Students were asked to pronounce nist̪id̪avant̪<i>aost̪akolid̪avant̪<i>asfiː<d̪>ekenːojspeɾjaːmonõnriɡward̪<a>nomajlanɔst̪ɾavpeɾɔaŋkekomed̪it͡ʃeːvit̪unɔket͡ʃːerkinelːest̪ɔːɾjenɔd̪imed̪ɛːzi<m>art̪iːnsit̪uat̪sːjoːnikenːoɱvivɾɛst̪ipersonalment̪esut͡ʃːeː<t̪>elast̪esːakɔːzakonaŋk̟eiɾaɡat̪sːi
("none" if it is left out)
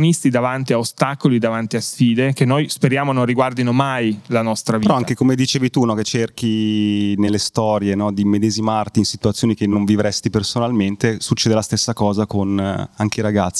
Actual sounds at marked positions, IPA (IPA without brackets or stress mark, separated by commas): i, i, d̪, i, m, d̪